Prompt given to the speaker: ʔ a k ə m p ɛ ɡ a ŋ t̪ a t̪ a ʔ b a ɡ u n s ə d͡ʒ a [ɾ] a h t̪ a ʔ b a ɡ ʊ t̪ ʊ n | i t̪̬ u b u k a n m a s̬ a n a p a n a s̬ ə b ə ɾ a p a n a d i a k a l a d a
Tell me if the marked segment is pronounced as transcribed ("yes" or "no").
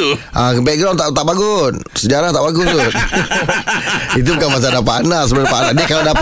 yes